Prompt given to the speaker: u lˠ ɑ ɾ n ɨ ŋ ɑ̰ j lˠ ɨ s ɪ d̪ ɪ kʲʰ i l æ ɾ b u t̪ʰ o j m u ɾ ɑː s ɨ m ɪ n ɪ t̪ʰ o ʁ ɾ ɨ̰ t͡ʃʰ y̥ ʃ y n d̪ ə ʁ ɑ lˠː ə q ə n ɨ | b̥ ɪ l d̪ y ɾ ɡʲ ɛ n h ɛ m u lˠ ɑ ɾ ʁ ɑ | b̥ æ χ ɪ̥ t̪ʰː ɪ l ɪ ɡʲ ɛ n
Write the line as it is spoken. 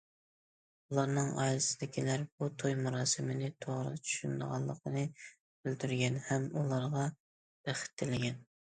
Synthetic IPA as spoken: u lˠ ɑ ɾ n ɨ ŋ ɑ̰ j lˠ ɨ s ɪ d̪ ɪ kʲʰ i l æ ɾ b u t̪ʰ o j m u ɾ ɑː s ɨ m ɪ n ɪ t̪ʰ o ʁ ɾ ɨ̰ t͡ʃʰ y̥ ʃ y n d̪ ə ʁ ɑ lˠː ə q ə n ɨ | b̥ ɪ l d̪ y ɾ ɡʲ ɛ n h ɛ m u lˠ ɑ ɾ ʁ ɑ | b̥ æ χ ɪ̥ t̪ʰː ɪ l ɪ ɡʲ ɛ n

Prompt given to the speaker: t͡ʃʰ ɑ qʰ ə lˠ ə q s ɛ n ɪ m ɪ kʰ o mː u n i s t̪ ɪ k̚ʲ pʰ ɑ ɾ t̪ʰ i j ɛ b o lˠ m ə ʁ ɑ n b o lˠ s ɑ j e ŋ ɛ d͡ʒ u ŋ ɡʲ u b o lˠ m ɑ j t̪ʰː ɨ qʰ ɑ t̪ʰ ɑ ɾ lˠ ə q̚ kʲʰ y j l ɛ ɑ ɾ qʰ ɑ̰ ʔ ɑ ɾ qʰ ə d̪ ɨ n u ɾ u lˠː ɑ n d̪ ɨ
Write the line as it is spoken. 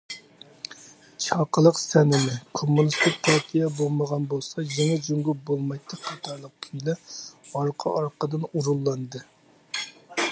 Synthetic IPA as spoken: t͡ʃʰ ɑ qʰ ə lˠ ə q s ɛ n ɪ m ɪ kʰ o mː u n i s t̪ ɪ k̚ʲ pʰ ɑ ɾ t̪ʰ i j ɛ b o lˠ m ə ʁ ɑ n b o lˠ s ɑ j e ŋ ɛ d͡ʒ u ŋ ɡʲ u b o lˠ m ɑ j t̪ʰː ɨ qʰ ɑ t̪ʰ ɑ ɾ lˠ ə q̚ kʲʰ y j l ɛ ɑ ɾ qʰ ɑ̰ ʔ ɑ ɾ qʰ ə d̪ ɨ n u ɾ u lˠː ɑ n d̪ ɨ

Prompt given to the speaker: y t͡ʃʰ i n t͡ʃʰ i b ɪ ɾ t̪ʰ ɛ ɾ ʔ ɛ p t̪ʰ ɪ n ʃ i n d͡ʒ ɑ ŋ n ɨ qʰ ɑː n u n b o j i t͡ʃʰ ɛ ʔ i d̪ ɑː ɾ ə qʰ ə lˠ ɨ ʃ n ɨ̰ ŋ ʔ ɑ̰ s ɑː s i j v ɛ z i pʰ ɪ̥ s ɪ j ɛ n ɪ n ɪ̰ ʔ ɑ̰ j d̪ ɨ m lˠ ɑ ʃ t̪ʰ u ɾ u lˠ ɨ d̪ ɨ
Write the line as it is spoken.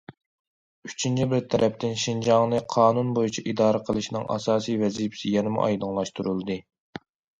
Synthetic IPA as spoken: y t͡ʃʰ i n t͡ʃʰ i b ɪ ɾ t̪ʰ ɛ ɾ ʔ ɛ p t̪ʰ ɪ n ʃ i n d͡ʒ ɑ ŋ n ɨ qʰ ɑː n u n b o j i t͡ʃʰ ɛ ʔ i d̪ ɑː ɾ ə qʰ ə lˠ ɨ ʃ n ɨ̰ ŋ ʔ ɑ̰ s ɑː s i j v ɛ z i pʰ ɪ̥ s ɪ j ɛ n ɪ m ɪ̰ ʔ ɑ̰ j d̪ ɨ ŋ lˠ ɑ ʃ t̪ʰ u ɾ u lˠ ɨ d̪ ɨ

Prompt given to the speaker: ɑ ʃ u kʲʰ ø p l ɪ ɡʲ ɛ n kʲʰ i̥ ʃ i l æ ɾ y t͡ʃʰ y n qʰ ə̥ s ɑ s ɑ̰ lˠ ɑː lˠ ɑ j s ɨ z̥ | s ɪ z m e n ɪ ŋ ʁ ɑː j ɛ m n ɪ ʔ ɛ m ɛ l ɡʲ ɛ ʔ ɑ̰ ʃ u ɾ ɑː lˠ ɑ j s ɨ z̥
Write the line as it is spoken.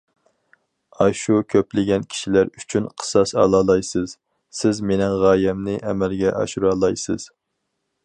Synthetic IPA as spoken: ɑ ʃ u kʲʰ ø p l ɪ ɡʲ ɛ n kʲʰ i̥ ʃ i l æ ɾ y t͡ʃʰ y n qʰ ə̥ s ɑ s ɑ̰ lˠ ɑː lˠ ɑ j s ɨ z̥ | s ɪ z m e n ɪ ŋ ʁ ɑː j ɛ m n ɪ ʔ ɛ m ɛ l ɡʲ ɛ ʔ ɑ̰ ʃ u ɾ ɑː lˠ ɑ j s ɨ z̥

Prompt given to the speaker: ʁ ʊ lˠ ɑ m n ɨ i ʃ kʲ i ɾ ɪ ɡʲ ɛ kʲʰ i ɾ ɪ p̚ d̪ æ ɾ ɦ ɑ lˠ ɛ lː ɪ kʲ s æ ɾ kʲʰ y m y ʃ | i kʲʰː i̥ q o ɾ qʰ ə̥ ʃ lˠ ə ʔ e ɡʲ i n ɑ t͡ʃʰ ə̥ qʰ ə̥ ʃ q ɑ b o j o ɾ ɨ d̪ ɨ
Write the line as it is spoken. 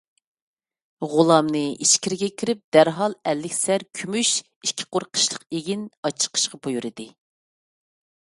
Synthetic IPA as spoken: ʁ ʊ lˠ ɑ m n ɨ i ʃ kʲ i ɾ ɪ ɡʲ ɛ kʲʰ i ɾ ɪ p̚ d̪ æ ɾ ɦ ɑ lˠ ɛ lː ɪ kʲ s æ ɾ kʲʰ y m y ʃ | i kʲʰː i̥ q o ɾ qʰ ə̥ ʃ lˠ ə q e ɡʲ i n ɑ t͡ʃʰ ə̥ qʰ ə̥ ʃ q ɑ b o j u ɾ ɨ d̪ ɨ

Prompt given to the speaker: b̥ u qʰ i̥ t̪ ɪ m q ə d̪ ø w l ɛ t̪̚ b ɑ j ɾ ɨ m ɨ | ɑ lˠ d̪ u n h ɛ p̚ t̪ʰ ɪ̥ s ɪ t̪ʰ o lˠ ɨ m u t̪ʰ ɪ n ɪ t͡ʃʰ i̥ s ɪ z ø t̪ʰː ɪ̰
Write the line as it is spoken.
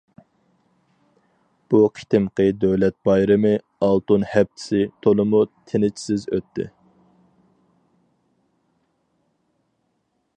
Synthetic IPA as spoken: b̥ u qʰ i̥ t̪ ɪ m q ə d̪ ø w l ɛ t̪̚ b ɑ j ɾ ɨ m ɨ | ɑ lˠ t̪ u n h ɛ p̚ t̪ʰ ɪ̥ s ɪ t̪ʰ o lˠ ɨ m u t̪ʰ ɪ n ɪ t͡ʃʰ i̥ s ɪ z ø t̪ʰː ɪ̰

